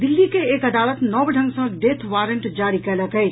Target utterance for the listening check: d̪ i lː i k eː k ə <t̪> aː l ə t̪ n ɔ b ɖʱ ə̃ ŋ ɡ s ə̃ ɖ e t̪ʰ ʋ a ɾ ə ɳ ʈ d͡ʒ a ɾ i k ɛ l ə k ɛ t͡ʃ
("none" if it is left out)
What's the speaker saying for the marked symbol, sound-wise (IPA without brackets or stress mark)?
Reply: d̪